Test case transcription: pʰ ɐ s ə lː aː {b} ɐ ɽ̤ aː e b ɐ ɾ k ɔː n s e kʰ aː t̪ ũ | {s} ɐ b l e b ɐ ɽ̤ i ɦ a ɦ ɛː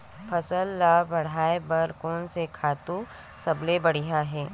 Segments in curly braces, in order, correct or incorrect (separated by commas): correct, correct